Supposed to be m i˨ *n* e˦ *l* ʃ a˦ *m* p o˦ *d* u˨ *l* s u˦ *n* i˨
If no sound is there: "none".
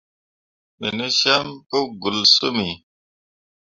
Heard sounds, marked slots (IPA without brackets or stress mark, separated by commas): n, none, m, ɡ, l, m